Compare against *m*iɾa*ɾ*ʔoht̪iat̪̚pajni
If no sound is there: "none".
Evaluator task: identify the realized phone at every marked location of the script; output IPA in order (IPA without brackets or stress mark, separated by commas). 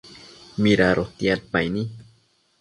m, ɾ